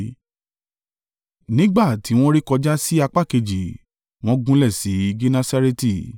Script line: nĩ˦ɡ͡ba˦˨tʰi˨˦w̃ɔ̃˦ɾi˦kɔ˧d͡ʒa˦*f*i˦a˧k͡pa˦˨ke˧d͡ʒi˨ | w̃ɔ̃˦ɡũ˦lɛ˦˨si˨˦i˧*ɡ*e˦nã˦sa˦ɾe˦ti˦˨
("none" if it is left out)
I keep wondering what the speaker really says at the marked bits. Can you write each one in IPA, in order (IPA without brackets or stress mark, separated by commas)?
s, ɡ